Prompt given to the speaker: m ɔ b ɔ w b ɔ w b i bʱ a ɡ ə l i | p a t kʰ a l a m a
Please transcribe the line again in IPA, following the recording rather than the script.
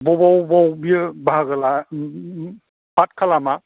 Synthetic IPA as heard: b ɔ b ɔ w b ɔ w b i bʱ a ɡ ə l a | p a t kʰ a l a m a

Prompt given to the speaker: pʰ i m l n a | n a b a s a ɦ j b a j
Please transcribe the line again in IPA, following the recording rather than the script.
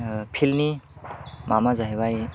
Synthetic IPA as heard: pʰ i l n i | m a m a z a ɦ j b a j

